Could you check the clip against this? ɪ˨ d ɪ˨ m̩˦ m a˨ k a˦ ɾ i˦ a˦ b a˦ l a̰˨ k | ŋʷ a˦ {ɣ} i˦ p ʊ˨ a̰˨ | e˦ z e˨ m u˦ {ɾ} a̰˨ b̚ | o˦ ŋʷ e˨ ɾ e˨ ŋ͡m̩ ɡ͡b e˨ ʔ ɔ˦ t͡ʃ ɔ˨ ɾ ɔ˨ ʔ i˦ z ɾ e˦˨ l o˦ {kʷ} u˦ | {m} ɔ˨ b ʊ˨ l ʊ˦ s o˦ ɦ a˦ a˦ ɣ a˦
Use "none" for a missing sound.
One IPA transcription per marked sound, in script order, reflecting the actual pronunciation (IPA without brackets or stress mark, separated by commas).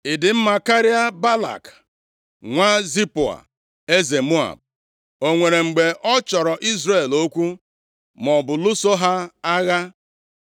z, none, kʷ, m